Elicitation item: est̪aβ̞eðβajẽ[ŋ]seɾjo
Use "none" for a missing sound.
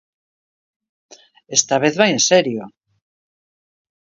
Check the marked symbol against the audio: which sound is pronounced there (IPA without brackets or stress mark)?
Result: n